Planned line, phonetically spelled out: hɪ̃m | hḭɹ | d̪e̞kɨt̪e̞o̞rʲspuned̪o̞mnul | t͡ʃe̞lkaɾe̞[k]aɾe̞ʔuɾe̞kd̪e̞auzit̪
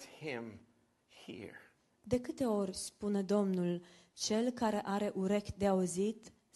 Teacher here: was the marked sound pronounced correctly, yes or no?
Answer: no